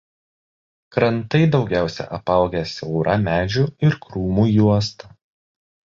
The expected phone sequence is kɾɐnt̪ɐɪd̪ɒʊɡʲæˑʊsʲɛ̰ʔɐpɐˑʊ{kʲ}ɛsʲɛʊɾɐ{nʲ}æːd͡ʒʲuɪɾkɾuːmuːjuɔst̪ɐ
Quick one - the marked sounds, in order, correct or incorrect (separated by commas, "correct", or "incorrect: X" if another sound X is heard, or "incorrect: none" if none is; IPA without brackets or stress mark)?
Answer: incorrect: ɡʲ, incorrect: mʲ